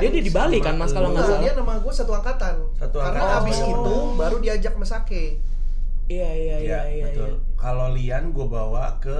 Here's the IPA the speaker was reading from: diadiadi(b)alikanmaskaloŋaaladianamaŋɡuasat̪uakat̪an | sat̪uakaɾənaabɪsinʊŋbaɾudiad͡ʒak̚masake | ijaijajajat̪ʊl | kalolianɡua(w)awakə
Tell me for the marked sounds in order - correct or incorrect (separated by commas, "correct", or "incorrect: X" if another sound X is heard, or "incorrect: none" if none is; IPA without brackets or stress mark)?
correct, incorrect: b